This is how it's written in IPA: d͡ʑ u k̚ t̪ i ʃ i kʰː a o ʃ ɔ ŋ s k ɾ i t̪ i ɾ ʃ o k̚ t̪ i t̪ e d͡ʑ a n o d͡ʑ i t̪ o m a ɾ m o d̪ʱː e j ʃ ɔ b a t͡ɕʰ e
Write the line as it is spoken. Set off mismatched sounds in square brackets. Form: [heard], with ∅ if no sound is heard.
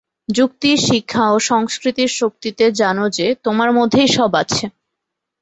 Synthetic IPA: d͡ʑ u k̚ t̪ i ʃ i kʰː a o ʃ ɔ ŋ s k ɾ i t̪ i ɾ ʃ o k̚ t̪ i t̪ e d͡ʑ a n o d͡ʑ [e] t̪ o m a ɾ m o d̪ʱː e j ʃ ɔ b a t͡ɕʰ e